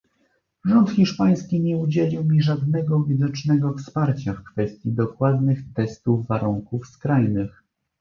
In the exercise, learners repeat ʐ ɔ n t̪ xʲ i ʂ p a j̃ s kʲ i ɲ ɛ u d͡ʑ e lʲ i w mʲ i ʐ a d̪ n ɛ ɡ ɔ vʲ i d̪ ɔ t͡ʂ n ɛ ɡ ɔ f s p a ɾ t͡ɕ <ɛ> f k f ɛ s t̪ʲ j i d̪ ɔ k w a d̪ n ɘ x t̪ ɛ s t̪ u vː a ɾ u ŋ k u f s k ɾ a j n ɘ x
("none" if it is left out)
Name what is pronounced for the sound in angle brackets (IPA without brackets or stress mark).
a